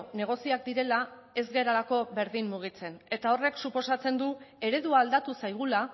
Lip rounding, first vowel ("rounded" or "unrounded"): unrounded